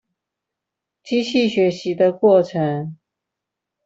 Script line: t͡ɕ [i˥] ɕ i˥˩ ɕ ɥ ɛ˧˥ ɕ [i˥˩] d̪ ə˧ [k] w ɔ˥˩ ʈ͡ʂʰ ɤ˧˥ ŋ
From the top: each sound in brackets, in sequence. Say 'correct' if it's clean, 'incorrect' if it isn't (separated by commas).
correct, incorrect, correct